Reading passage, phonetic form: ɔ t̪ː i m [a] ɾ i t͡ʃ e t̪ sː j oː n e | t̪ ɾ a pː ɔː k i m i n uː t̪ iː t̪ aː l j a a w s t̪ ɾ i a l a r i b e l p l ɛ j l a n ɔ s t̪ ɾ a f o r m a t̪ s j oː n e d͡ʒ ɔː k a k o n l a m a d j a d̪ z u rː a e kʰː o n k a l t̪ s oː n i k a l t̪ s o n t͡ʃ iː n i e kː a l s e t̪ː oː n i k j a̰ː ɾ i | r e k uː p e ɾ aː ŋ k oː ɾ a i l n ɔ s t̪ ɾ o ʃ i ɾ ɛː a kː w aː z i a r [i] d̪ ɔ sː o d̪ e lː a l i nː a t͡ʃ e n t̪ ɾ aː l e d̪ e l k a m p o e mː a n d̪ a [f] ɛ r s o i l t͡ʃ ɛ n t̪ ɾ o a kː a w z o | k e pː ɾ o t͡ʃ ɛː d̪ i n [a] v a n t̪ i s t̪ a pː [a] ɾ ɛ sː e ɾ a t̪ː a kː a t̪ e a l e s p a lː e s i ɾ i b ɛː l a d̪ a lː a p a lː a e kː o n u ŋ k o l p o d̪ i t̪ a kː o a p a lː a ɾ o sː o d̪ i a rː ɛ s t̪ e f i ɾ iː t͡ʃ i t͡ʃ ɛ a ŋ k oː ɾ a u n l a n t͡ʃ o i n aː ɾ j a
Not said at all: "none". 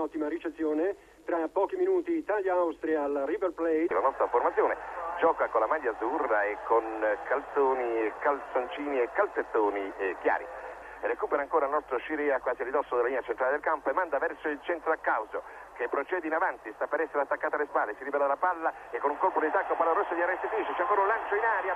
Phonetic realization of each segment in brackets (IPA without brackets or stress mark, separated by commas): a, i, v, a, e